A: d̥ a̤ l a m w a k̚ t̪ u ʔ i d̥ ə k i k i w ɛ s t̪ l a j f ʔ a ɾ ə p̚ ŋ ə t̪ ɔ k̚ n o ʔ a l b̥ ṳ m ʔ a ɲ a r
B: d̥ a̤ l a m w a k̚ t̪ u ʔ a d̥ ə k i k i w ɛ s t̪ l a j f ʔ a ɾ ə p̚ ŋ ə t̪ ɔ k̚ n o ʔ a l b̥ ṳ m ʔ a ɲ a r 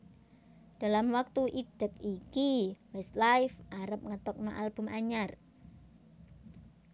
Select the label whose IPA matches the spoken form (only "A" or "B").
A